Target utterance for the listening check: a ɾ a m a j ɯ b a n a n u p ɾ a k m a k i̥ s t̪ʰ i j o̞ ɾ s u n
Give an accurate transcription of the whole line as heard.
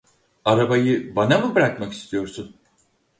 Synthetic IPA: a ɾ a b a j ɯ b a n a m u b ɾ a k m a k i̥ s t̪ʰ i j o̞ ɾ s u n